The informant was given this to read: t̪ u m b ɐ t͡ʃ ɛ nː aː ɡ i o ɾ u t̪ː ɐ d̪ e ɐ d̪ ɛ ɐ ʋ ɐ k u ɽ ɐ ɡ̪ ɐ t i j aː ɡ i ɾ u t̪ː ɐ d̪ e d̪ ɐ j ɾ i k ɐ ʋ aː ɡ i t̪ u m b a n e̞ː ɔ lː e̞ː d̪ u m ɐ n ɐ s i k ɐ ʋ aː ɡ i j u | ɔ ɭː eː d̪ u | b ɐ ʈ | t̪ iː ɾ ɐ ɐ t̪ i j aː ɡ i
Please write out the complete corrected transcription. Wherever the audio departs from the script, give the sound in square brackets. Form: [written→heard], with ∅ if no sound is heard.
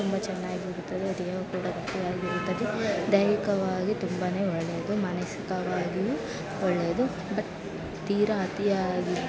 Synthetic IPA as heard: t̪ u m b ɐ t͡ʃ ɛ nː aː ɡ i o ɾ u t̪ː ɐ d̪ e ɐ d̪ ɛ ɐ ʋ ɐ k [u→uː] ɽ ɐ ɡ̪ ɐ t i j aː ɡ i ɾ u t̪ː ɐ d̪ e d̪ ɐ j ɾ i k ɐ ʋ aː ɡ i t̪ u m b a n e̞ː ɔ [lː→ɭː] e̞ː d̪ u m ɐ n ɐ s i k ɐ ʋ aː ɡ i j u | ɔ ɭː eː d̪ u | b ɐ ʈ | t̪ iː ɾ ɐ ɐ t̪ i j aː ɡ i